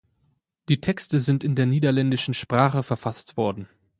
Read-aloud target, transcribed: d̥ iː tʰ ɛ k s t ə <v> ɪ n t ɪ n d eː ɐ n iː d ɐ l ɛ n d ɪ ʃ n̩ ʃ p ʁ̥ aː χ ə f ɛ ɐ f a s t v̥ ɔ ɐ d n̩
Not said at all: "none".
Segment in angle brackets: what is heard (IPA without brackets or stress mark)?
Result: z